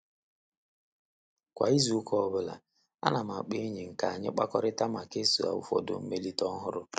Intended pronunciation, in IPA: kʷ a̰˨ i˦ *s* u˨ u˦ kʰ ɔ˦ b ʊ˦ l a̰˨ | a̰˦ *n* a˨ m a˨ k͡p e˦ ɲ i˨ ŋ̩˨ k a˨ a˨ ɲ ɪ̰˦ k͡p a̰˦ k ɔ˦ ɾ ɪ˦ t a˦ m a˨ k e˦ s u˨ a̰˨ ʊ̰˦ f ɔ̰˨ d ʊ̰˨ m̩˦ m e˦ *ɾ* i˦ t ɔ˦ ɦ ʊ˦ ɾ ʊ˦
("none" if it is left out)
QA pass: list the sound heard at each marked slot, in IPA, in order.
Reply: z, n, l

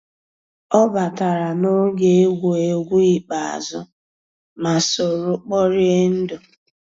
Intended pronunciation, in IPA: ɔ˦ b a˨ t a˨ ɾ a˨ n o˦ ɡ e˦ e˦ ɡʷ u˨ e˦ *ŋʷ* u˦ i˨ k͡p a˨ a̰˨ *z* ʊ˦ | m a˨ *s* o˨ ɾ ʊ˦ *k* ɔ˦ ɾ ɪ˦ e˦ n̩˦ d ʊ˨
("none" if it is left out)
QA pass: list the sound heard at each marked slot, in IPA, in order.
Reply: ɡʷ, z, s, k͡p

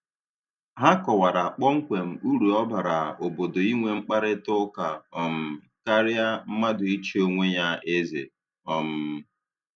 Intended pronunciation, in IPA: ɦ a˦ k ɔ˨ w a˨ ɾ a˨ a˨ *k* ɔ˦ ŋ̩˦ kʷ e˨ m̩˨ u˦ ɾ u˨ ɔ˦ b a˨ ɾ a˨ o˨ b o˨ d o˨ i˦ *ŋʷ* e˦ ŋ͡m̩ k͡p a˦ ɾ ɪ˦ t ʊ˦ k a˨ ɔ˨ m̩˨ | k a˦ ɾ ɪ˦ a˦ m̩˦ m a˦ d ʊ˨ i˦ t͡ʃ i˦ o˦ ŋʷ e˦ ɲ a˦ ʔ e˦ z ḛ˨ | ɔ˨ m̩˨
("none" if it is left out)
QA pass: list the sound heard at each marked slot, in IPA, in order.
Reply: k͡p, ŋʷ

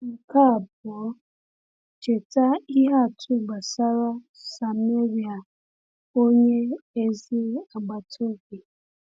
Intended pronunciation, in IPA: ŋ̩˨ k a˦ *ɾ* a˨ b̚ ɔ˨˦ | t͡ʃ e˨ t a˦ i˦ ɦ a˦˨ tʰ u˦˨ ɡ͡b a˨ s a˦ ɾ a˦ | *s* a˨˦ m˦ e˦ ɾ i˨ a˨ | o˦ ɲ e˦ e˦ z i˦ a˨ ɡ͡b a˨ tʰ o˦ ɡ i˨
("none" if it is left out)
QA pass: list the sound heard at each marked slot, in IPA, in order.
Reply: none, s

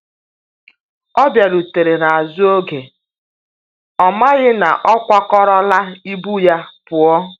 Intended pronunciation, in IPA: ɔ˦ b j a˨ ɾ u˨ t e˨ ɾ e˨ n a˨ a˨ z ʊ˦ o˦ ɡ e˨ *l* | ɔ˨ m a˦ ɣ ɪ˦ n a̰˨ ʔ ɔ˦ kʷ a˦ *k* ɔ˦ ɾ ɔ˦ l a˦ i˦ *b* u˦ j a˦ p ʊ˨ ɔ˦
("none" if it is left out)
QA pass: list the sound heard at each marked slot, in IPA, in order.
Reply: none, k, b

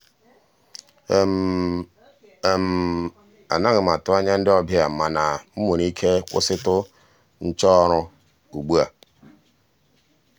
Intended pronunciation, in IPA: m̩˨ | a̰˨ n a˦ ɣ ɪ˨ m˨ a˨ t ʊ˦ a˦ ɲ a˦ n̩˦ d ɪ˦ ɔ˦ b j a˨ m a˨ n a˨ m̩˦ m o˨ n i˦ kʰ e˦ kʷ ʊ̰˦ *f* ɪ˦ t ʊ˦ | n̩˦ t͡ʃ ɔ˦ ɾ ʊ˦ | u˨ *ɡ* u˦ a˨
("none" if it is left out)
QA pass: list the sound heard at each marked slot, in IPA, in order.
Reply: s, ɡ͡b

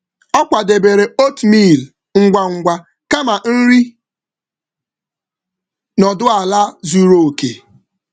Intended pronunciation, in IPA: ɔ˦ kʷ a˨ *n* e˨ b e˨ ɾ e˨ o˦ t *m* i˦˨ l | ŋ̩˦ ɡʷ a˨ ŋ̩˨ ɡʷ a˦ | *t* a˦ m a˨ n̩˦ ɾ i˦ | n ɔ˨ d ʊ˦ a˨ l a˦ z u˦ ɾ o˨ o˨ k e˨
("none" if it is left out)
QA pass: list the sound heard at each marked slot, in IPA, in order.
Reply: d, m, k

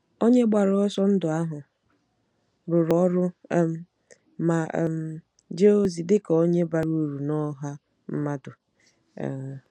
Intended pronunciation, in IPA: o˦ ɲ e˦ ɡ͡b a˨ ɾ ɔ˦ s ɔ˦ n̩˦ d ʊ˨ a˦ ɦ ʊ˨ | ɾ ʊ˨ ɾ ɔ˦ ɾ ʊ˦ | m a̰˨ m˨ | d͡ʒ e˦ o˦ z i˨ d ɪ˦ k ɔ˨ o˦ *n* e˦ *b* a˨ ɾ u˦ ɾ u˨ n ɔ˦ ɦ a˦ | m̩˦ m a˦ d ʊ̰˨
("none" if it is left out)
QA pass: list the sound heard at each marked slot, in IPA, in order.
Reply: ɲ, b

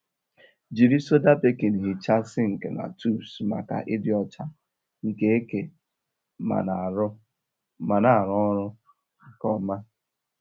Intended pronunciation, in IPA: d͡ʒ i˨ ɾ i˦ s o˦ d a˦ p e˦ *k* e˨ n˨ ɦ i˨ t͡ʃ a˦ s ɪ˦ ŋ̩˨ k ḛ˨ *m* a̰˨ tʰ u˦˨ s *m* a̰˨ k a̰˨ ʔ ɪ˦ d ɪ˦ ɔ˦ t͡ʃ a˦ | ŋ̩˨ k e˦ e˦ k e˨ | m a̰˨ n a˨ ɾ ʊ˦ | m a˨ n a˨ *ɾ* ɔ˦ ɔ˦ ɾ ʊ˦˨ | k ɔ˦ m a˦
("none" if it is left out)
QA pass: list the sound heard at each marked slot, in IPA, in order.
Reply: k, n, m, ɾ

